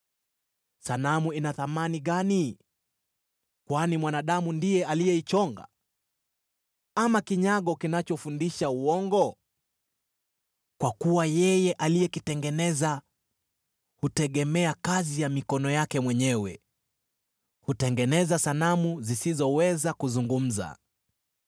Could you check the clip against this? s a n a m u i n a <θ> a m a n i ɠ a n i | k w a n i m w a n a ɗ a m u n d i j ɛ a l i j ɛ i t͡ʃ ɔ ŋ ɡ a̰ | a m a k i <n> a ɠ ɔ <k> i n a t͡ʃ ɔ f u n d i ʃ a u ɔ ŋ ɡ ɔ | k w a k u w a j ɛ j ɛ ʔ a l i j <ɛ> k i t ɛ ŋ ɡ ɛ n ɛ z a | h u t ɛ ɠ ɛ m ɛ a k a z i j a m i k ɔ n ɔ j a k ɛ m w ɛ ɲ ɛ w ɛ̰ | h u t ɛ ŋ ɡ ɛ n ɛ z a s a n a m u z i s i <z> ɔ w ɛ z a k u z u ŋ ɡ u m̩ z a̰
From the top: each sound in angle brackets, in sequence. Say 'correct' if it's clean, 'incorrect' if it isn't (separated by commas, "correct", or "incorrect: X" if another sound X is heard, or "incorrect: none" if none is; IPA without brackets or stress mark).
correct, incorrect: ɲ, correct, correct, correct